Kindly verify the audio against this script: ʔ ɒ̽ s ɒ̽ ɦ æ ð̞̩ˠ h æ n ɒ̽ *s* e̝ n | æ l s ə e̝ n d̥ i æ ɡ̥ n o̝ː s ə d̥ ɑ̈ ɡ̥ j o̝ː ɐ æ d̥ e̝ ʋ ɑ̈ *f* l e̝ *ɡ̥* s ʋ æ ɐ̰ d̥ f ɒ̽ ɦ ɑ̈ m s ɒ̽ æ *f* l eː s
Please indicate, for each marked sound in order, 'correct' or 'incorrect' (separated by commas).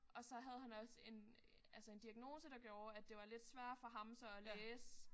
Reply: correct, incorrect, incorrect, incorrect